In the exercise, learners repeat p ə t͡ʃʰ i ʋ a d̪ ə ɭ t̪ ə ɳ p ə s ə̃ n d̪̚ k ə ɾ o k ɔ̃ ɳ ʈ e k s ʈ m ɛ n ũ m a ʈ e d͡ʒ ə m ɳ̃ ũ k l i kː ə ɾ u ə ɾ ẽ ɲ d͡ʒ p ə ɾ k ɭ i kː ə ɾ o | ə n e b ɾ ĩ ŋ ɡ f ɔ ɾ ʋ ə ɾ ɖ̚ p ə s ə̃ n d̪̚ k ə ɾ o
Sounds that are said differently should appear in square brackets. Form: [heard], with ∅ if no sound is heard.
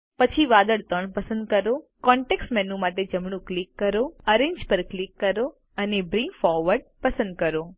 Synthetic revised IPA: p ə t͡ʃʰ i ʋ a d̪ ə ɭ t̪ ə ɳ p ə s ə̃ n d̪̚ k ə ɾ o k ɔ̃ ɳ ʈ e k s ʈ m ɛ n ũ m a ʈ e d͡ʒ ə m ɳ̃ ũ k l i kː ə ɾ [o] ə ɾ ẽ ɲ d͡ʒ p ə ɾ k [l] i kː ə ɾ o | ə n e b ɾ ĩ ŋ ɡ f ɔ ɾ ʋ ə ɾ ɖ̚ p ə s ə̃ n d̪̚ k ə ɾ o